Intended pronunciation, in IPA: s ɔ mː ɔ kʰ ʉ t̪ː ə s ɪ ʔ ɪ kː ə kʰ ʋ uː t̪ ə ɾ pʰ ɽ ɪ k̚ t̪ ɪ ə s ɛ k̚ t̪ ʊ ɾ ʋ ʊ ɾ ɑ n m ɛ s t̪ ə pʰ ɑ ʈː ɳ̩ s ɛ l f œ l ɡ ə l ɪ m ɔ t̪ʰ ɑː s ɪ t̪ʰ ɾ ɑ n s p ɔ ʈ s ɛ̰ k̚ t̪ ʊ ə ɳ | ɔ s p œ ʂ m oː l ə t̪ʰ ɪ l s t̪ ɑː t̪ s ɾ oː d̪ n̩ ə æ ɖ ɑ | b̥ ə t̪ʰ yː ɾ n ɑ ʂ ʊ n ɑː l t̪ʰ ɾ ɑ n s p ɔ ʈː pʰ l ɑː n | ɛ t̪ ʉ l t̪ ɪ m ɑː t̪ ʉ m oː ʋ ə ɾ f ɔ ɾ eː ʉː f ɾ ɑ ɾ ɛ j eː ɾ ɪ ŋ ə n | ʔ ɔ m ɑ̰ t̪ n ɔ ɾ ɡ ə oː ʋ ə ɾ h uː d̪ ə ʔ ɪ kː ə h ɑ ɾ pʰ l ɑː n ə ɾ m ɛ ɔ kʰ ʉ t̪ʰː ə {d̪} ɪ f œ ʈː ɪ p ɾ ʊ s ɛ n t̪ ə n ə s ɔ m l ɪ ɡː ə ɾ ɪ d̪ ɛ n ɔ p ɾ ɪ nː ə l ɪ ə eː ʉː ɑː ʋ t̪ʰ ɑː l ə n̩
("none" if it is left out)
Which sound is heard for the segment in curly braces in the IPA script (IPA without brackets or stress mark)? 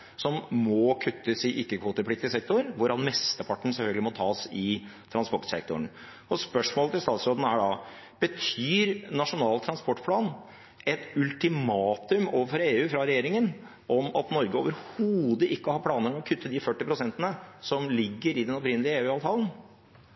d̪